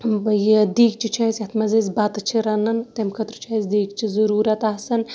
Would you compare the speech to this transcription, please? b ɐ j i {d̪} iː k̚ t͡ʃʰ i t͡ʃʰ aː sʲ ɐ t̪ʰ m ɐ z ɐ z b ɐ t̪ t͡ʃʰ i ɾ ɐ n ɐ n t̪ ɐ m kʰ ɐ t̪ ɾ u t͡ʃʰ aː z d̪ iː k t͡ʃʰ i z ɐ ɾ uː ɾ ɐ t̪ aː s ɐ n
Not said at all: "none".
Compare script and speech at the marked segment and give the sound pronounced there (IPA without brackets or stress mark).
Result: d̪